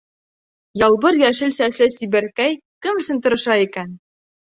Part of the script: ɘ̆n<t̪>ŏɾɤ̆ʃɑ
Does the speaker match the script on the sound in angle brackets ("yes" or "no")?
yes